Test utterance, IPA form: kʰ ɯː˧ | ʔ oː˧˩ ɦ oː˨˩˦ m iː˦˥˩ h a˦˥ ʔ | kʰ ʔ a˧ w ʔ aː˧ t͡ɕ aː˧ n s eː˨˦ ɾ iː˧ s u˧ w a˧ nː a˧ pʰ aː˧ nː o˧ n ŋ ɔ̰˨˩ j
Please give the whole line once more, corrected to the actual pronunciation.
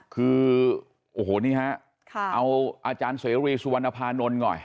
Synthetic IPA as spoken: kʰ ɯː˧ | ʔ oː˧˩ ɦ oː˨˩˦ n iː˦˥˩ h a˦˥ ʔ | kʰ ʔ a˧ w ʔ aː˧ t͡ɕ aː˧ n s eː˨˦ ɾ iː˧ s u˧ w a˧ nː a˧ pʰ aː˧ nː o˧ n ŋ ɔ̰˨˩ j